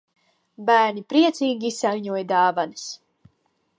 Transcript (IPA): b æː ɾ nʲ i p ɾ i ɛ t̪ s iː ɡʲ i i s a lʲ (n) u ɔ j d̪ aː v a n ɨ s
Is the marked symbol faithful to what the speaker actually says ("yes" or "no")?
no